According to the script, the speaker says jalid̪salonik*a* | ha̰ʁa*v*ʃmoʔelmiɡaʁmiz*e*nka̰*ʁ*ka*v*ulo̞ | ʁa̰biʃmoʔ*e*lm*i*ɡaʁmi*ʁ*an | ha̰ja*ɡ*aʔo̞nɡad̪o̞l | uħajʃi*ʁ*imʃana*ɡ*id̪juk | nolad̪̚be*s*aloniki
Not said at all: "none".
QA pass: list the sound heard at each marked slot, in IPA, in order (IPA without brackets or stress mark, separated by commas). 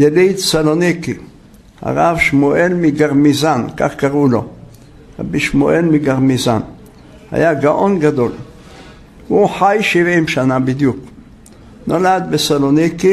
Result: i, v, a, χ, ʁ, e, i, z, ɡ, v, b, s